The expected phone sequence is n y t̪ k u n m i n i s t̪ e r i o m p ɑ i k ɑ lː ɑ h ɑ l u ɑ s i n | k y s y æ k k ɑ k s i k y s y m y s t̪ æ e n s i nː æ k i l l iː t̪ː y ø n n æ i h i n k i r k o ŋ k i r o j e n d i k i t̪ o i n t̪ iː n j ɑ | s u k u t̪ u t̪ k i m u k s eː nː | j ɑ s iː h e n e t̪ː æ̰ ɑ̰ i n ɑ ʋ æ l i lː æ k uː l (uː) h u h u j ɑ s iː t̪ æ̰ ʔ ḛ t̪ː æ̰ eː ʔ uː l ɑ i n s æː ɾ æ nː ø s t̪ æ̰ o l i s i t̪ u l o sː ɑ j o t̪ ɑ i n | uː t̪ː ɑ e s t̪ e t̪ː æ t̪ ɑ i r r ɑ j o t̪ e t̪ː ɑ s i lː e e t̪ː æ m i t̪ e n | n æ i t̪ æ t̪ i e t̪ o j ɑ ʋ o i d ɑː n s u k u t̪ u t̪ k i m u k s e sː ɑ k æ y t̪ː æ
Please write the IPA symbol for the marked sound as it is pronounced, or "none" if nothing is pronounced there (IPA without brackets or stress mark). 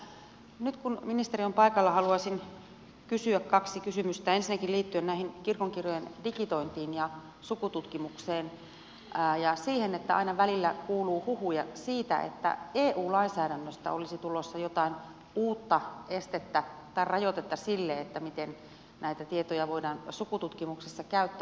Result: uː